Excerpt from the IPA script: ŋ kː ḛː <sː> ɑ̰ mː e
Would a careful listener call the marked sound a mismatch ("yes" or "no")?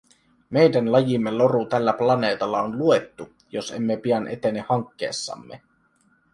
no